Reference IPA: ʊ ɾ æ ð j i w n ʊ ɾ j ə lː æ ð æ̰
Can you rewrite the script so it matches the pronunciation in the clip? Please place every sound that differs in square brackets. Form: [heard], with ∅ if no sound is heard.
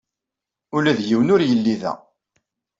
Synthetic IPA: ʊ [l] æ ð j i w n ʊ ɾ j ə lː [i] ð æ̰